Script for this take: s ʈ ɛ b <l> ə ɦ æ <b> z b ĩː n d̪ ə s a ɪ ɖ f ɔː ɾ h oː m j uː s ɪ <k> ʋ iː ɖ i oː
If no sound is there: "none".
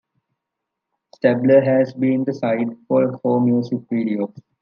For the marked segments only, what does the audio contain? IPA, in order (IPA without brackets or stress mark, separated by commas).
l, none, k